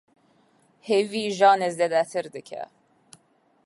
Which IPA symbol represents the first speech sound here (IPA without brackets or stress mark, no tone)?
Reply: h